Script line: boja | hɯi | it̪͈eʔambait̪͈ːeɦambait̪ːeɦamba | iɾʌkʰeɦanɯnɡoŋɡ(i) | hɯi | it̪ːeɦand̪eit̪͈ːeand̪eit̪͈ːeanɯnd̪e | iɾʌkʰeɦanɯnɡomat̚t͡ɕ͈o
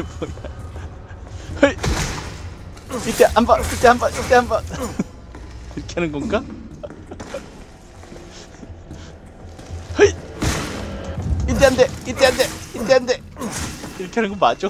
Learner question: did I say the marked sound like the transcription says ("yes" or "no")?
no